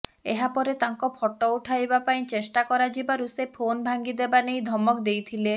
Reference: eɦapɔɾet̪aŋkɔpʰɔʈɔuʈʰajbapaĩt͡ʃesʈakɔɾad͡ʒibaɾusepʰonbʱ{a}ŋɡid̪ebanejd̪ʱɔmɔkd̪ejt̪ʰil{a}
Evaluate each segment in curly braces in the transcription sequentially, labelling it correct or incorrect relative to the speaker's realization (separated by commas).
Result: correct, incorrect